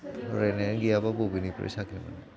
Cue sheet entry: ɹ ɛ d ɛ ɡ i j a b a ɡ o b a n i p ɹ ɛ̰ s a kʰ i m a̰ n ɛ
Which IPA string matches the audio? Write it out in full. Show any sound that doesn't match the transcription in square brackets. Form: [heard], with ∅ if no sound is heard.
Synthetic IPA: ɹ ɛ [n] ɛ ɡ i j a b a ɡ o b [i] n i p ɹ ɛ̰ s a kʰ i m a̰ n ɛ